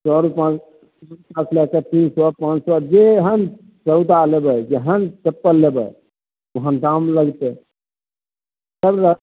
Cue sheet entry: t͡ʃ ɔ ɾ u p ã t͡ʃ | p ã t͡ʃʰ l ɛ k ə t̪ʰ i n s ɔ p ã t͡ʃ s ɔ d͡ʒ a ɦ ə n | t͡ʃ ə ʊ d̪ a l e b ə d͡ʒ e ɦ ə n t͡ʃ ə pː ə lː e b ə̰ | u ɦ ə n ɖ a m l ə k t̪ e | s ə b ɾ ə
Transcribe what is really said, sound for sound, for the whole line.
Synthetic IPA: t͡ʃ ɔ ɾ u p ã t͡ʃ | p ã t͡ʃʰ l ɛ k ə t̪ i n s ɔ p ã t͡ʃ s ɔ d͡ʒ e ɦ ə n | t͡ʃ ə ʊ d̪ a l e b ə d͡ʒ e ɦ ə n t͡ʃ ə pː ə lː e b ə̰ | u ɦ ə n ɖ a m l ə ɡ t̪ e | s ə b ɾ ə